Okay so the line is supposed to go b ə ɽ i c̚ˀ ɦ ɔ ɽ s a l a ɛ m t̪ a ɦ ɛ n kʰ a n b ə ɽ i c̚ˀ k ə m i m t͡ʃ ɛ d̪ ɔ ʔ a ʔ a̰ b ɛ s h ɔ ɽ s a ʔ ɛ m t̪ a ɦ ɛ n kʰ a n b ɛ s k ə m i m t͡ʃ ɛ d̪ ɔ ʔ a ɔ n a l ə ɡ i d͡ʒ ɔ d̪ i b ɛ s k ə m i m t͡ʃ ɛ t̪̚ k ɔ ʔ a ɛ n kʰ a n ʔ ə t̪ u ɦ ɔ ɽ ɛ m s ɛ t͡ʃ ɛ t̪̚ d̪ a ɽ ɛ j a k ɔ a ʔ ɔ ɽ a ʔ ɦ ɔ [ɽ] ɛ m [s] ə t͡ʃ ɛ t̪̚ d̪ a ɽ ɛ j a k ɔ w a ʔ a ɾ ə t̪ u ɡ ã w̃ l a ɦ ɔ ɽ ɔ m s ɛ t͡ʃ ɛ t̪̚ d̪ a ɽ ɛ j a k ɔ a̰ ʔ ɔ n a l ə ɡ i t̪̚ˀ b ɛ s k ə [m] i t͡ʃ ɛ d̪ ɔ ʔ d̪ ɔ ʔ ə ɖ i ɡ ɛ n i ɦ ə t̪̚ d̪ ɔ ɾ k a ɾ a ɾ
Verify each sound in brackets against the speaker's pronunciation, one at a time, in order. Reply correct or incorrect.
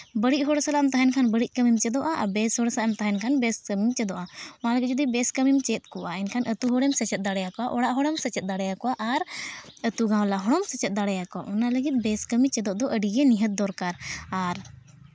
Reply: correct, correct, correct

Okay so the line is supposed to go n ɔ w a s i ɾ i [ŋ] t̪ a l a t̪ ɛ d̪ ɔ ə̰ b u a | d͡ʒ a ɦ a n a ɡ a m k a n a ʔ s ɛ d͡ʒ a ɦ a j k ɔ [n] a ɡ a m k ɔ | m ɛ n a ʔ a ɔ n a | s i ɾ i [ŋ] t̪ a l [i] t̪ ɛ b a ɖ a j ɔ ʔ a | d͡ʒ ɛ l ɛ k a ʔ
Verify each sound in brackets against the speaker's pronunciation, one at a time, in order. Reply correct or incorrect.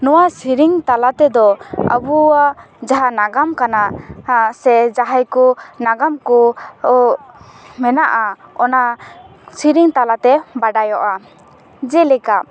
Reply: correct, correct, correct, incorrect

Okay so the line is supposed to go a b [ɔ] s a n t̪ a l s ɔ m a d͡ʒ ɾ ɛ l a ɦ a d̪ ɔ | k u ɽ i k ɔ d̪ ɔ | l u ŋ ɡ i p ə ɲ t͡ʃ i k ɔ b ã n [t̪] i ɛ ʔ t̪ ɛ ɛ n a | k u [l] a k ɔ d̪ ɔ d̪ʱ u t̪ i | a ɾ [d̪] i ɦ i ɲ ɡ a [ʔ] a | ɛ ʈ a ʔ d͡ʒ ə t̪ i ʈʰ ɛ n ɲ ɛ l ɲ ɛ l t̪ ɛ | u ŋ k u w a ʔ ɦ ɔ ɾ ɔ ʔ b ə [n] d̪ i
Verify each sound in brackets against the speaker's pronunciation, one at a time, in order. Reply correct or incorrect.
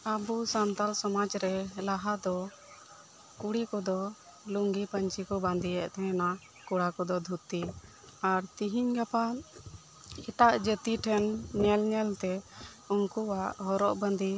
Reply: incorrect, incorrect, incorrect, incorrect, incorrect, correct

